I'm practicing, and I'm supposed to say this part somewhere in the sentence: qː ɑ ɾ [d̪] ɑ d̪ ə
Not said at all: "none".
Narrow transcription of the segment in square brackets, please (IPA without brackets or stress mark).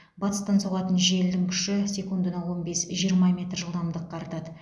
t̪